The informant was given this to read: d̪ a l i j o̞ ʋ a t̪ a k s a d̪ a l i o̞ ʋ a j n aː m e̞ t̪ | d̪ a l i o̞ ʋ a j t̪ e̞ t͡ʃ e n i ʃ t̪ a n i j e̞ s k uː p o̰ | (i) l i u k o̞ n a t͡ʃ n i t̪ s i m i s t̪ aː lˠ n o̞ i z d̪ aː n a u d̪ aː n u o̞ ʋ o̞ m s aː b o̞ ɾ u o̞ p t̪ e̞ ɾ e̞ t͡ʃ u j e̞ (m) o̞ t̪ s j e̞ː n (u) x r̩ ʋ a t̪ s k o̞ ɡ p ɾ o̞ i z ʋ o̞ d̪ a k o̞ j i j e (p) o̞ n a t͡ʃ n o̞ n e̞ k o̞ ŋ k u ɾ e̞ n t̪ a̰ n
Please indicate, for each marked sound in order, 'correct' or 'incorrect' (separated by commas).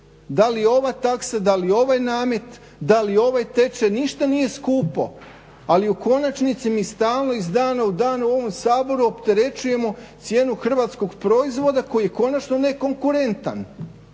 incorrect, correct, correct, incorrect